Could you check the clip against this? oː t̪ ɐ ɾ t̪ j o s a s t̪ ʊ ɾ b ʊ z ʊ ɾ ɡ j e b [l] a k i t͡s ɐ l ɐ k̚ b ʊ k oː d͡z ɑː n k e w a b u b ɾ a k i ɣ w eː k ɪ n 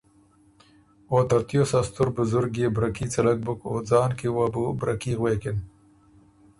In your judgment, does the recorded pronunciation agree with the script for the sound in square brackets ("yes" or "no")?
no